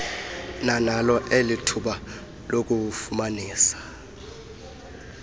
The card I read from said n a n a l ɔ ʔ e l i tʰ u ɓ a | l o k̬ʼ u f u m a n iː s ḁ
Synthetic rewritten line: n a n a l ɔ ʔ e l i tʰ u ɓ a | l o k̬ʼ u f u m a n iː s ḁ